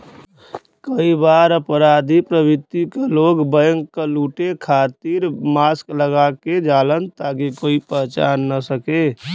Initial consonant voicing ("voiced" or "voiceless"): voiceless